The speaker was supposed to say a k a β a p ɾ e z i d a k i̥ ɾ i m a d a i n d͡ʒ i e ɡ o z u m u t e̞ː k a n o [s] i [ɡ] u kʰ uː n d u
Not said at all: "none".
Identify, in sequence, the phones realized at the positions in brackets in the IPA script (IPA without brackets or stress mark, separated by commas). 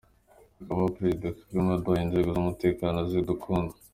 z, d